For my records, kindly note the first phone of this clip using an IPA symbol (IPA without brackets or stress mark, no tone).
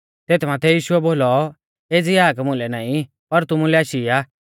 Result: t̪